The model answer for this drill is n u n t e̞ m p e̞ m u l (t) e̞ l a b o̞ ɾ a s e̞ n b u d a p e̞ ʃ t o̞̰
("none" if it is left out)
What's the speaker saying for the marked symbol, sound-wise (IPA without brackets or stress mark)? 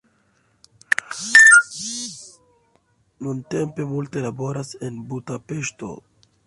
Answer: t